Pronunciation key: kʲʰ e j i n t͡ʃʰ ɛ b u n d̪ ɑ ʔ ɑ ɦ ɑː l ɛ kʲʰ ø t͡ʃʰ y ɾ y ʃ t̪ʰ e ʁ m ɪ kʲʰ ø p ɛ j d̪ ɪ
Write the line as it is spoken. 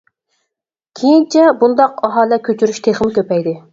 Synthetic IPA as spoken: kʲʰ e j i n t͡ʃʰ ɛ b u n d̪ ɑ q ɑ ɦ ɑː l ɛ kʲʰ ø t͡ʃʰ y ɾ y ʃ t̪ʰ e χ m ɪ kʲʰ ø p ɛ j d̪ ɪ